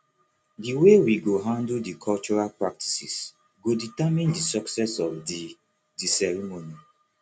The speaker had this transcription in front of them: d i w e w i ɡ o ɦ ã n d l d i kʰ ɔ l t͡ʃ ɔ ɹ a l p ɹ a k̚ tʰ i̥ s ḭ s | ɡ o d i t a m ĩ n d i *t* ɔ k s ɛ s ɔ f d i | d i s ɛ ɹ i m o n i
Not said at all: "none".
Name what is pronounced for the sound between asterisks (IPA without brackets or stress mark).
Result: s